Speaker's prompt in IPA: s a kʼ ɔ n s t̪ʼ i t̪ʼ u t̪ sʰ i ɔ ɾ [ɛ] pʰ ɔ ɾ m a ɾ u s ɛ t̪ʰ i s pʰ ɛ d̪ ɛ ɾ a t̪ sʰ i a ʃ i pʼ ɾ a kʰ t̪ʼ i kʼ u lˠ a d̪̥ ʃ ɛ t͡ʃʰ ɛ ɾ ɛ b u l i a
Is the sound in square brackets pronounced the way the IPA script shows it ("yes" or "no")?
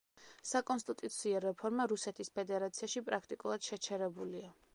yes